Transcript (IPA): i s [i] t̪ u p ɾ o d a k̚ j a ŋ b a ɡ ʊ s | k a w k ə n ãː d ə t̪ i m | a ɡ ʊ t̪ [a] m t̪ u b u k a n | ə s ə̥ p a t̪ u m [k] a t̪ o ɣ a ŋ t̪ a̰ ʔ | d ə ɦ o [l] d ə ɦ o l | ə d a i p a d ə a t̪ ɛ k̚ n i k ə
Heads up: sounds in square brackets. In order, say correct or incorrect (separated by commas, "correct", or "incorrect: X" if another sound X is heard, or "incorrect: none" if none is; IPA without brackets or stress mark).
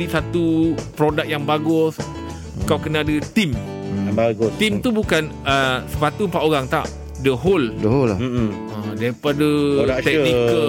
incorrect: a, incorrect: i, incorrect: p, correct